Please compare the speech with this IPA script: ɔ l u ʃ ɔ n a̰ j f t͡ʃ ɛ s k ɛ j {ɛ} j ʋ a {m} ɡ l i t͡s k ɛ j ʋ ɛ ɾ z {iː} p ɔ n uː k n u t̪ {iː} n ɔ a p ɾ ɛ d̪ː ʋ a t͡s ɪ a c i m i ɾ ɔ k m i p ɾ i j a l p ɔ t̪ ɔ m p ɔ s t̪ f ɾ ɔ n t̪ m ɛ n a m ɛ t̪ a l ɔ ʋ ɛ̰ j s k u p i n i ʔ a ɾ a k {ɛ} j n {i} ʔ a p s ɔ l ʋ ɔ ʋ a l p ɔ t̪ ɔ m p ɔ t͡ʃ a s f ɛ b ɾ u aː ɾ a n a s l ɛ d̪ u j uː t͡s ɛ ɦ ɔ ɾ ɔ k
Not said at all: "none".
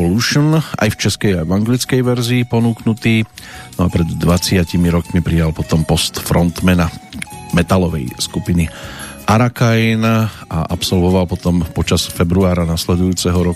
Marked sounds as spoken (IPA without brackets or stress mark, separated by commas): a, ŋ, iː, iː, a, a